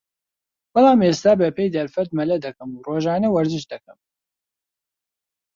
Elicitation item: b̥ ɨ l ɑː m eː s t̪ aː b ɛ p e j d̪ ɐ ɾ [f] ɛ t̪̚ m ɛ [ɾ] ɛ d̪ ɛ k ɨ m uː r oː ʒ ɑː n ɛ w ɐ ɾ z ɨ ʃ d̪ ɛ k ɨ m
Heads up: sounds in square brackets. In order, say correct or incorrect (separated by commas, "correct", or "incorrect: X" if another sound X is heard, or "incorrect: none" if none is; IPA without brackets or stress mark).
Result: correct, incorrect: l